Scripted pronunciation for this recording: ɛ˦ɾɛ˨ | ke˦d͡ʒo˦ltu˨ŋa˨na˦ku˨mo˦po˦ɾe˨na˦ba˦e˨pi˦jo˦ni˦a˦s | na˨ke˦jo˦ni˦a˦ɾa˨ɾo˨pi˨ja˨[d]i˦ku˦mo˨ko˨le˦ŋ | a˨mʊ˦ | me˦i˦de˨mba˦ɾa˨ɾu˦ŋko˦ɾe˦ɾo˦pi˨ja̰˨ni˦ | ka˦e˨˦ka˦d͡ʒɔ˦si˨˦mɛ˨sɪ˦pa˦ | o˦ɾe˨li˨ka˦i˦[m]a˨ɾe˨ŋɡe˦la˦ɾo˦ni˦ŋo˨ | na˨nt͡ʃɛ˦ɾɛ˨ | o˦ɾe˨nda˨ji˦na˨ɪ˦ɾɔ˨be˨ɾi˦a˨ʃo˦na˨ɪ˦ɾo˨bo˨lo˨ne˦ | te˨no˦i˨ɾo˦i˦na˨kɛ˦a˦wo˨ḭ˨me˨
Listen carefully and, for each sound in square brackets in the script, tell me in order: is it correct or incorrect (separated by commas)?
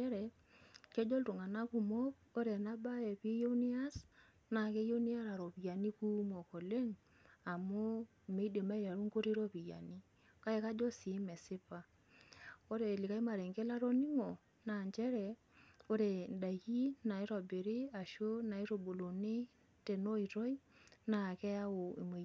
incorrect, correct